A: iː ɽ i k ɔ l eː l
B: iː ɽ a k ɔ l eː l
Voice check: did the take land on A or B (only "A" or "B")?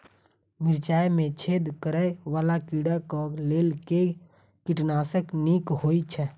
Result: B